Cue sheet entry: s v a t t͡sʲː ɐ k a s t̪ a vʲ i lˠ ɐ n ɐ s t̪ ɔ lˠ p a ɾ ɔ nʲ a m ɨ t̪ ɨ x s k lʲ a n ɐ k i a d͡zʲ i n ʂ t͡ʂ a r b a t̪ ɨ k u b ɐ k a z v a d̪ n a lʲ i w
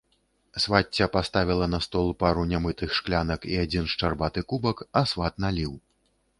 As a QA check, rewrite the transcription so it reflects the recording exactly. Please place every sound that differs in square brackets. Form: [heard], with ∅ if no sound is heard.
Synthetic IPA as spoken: s v a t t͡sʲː ɐ [p] a s t̪ a vʲ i lˠ ɐ n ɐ s t̪ ɔ lˠ p a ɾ [u] nʲ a m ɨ t̪ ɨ x [ʂ] k lʲ a n ɐ k i a d͡zʲ i n ʂ t͡ʂ a r b a t̪ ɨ k u b ɐ k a [s] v a [t̪] n a lʲ i w